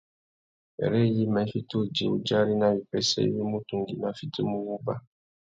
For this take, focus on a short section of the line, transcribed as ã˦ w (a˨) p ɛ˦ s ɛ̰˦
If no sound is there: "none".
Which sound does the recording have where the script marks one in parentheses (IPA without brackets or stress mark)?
i˨